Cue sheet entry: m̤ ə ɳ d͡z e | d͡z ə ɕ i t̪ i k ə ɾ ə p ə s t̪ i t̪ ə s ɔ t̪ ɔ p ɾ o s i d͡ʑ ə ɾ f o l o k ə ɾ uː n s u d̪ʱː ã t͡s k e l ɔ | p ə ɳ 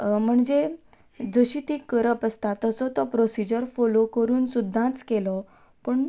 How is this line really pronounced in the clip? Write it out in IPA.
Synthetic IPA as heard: m̤ ə ɳ d͡z e | d͡z ə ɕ i t̪ i k ə ɾ ə p ə s t̪ a t̪ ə s ɔ t̪ ɔ p ɾ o s i d͡ʑ ə ɾ f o l o k ə ɾ uː n s u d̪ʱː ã t͡s k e l ɔ | p ə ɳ

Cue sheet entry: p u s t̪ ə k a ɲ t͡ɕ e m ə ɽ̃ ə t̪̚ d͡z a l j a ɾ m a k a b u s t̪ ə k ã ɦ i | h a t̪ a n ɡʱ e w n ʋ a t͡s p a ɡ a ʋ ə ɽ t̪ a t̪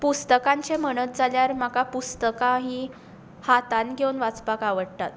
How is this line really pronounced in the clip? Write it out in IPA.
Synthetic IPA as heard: p u s t̪ ə k a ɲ t͡ɕ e m ə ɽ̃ ə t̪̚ d͡z a l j a ɾ m a k a p u s t̪ ə k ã ɦ i | h a t̪ a n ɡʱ e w n ʋ a t͡s p a k a ʋ ə ɽ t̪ a t̪

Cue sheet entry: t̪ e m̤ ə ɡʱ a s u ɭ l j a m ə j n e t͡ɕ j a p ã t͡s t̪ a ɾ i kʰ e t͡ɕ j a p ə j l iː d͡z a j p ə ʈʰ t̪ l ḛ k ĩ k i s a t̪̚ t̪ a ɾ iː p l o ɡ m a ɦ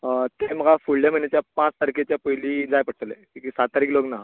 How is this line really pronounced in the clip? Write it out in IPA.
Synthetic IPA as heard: t̪ e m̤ ə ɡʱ a f u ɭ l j a m ə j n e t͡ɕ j a p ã t͡s t̪ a ɾ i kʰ e t͡ɕ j a p ə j l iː d͡z a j p ə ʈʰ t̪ l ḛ k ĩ k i s a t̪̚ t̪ a ɾ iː k l o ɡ n a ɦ

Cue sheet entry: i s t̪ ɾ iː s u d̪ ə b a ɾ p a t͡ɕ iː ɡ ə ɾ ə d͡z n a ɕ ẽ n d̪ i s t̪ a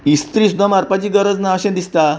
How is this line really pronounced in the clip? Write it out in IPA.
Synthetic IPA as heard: i s t̪ ɾ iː s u d̪ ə m a ɾ p a t͡ɕ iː ɡ ə ɾ ə d͡z n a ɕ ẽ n d̪ i s t̪ a

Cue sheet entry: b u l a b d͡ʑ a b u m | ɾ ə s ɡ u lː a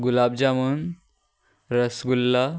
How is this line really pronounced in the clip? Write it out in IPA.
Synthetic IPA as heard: ɡ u l a b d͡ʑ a m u n | ɾ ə s ɡ u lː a

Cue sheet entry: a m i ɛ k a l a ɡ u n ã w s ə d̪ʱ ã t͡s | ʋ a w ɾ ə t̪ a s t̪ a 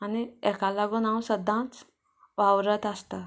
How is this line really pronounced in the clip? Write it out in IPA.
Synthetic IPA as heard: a n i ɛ k a l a ɡ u n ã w s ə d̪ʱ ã t͡s | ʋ a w ɾ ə t̪ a s t̪ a

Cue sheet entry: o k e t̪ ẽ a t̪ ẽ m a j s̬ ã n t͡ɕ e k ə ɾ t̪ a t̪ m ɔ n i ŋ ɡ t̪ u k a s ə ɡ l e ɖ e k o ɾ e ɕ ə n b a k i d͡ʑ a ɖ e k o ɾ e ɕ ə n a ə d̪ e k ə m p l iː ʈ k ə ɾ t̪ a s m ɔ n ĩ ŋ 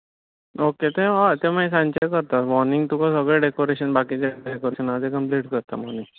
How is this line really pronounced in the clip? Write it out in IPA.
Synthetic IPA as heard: o k e t̪ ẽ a t̪ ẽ m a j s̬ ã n t͡ɕ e k ə ɾ t̪ a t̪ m ɔ n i ŋ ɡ t̪ u k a s ə ɡ ɭ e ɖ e k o ɾ e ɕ ə n b a k i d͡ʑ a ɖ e k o ɾ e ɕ ə n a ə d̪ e k ə m p l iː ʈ k ə ɾ t̪ a m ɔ n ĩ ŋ

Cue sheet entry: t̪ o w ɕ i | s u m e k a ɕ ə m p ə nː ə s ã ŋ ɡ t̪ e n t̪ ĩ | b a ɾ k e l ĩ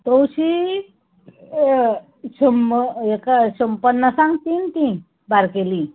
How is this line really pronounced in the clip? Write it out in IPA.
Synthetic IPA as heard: t̪ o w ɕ i | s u m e k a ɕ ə m p ə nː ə s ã ŋ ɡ t̪ i n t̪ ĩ | b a ɾ k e l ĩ

